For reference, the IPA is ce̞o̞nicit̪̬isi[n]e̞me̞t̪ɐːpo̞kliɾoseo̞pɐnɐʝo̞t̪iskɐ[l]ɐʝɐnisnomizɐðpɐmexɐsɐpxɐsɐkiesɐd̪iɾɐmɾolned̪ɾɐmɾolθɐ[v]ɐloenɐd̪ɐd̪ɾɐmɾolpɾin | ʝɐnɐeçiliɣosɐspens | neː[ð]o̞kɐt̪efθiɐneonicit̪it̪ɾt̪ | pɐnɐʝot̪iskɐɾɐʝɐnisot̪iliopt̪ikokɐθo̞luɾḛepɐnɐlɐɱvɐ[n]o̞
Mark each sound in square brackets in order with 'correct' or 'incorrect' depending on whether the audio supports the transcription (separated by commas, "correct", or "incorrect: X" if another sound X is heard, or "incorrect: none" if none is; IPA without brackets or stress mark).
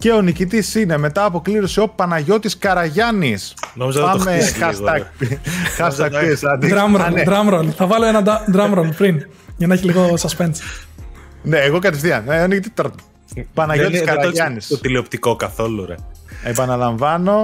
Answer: correct, incorrect: ɾ, correct, incorrect: ɣ, correct